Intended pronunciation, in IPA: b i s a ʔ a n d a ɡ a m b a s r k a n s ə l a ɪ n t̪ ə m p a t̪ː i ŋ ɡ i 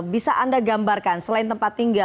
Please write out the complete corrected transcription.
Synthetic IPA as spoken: b i s a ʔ a n d a ɡ a m b a r k a n s ə l a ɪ n t̪ ə m p a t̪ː i ŋ ɡ a